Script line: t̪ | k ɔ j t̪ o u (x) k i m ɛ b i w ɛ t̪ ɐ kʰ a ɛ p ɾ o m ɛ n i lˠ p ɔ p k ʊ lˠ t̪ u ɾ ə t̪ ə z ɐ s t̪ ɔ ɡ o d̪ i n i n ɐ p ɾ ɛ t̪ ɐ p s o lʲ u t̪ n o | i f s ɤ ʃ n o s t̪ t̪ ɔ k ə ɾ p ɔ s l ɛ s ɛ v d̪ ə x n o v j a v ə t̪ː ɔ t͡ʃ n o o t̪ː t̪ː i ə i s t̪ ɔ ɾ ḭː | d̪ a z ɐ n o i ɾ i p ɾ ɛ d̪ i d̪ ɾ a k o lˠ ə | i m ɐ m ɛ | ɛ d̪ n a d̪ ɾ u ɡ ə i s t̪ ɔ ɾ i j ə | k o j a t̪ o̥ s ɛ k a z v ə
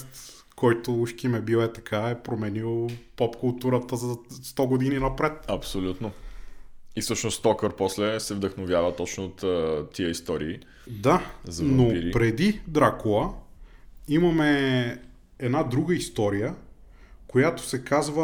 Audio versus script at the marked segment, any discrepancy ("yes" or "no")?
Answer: yes